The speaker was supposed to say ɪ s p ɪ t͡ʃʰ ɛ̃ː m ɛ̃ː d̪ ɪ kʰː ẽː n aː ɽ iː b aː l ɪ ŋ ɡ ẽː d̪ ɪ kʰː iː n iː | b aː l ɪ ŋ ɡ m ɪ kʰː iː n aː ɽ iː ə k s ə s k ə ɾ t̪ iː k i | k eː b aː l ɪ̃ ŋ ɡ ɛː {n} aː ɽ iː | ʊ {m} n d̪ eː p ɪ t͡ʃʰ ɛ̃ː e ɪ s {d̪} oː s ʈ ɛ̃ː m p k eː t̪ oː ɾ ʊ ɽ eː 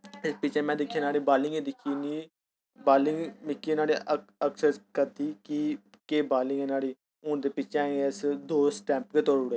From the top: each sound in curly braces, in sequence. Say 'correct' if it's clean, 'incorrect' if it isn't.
correct, incorrect: none, correct

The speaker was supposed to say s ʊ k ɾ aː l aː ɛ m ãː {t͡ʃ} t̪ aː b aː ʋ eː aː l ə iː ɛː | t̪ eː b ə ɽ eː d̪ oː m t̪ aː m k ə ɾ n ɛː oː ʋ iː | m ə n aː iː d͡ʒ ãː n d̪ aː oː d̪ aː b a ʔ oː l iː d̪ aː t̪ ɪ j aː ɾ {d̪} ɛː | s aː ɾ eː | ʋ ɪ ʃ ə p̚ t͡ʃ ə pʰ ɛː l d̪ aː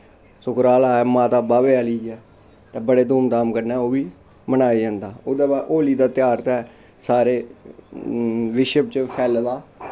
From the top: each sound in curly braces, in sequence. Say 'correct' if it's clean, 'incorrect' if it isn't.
incorrect: none, incorrect: t̪

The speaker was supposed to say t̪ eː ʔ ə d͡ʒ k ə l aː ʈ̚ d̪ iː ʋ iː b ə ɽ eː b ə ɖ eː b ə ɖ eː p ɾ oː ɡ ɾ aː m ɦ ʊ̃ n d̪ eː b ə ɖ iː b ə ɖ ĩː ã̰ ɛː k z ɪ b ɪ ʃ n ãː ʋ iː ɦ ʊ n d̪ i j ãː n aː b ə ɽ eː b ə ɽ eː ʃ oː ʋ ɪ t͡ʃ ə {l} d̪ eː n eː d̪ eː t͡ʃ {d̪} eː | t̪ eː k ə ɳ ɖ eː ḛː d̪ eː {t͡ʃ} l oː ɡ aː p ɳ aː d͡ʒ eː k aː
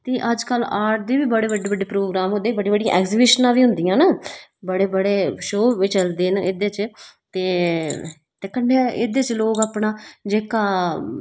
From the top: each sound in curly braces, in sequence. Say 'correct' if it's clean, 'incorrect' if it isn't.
correct, incorrect: t̪, correct

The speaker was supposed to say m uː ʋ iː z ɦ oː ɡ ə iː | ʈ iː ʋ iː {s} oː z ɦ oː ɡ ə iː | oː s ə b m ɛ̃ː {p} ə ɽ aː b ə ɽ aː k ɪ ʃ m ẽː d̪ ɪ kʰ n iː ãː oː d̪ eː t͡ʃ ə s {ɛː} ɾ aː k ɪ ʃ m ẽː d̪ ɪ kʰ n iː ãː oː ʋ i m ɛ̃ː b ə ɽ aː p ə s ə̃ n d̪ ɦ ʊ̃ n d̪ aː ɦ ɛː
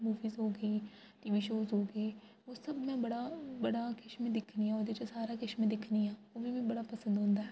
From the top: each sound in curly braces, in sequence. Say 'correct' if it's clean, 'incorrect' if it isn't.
incorrect: ʃ, incorrect: b, incorrect: aː

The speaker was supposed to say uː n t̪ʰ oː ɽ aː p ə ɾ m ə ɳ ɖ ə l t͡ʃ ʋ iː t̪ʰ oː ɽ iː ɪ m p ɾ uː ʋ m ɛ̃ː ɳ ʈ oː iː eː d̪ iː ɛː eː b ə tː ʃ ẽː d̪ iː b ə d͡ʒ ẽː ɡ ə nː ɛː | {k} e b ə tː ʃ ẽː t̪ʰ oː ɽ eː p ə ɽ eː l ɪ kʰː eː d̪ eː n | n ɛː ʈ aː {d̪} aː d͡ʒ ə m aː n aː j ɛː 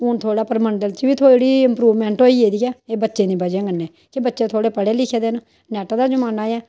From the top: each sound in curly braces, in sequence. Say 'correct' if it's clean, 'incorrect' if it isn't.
correct, correct

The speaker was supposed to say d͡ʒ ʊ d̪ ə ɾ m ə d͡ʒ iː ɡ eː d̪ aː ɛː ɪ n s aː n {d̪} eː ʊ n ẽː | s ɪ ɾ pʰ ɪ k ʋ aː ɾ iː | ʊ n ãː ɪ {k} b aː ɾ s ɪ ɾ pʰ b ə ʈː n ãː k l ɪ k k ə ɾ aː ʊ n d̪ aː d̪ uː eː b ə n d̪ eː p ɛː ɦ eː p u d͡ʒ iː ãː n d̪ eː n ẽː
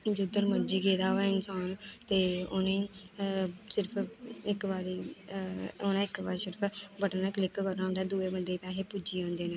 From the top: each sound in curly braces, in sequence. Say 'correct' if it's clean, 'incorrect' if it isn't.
incorrect: t̪, correct

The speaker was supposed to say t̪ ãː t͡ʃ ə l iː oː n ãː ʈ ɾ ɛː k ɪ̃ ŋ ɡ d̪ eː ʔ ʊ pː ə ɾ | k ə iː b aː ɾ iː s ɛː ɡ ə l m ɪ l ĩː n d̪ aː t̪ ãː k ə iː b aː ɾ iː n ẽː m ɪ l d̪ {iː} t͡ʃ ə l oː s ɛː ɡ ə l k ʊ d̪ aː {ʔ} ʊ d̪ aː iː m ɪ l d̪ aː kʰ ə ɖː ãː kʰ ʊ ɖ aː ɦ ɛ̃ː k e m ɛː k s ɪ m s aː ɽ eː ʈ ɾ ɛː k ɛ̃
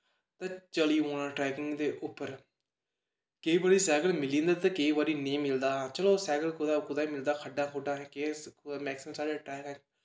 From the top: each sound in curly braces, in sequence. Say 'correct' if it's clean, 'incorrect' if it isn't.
incorrect: aː, incorrect: k

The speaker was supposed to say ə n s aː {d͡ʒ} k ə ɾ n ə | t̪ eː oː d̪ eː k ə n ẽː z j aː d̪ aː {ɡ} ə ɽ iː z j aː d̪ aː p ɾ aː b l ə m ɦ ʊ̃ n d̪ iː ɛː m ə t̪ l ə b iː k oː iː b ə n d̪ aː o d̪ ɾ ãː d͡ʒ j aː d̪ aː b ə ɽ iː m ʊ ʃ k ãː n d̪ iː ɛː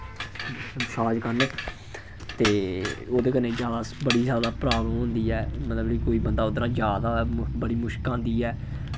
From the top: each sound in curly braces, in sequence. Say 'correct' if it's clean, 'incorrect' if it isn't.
correct, incorrect: b

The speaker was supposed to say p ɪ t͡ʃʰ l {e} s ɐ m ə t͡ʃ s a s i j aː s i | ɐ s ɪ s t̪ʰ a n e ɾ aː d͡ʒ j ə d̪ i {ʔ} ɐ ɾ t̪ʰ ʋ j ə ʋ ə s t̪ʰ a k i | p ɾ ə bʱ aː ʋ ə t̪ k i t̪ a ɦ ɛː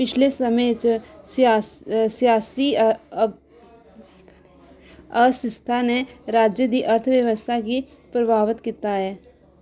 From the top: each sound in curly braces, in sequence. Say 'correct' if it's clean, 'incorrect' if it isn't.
correct, correct

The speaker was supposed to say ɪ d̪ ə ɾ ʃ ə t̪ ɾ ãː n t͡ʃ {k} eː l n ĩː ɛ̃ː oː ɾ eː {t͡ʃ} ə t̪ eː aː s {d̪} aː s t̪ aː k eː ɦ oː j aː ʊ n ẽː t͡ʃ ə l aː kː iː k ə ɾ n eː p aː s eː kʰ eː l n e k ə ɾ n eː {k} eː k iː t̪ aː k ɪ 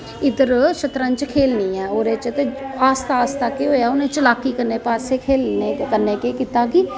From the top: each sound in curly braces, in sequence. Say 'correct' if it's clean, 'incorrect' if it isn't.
incorrect: kʰ, correct, incorrect: t̪, correct

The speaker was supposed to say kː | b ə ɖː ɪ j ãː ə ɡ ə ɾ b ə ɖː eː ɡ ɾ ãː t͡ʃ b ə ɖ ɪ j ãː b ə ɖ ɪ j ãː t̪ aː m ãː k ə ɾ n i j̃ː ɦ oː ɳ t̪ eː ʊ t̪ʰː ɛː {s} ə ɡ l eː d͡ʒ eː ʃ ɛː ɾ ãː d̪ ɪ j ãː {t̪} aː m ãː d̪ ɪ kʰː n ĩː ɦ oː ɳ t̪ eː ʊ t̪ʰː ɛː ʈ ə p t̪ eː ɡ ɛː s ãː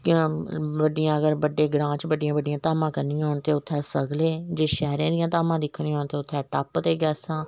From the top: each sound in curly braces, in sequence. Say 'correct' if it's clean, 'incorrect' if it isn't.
correct, correct

